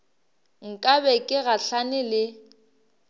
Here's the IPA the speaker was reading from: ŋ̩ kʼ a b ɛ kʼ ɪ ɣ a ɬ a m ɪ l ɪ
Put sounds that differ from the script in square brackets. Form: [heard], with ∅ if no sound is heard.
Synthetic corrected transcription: ŋ̩ kʼ a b ɛ kʼ ɪ ɣ a ɬ a [n] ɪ l ɪ